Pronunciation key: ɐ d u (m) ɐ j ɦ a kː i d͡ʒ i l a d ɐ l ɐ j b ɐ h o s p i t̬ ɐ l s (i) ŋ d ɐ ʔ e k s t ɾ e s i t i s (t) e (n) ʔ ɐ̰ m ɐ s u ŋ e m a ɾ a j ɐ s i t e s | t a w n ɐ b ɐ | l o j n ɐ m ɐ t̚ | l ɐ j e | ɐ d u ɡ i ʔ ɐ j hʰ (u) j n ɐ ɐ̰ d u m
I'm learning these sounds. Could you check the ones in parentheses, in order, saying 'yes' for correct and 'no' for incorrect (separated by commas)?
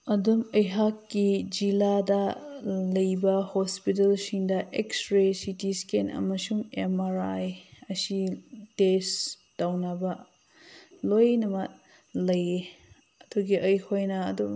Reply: yes, yes, no, yes, no